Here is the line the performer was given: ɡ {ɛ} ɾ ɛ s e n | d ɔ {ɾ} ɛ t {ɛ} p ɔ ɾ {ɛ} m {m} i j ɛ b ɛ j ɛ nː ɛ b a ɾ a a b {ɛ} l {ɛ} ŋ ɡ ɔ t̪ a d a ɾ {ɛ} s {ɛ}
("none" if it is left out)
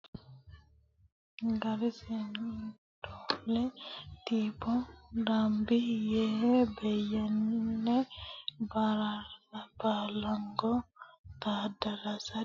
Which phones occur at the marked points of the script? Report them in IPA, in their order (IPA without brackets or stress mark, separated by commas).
a, l, i, a, b, a, a, a, a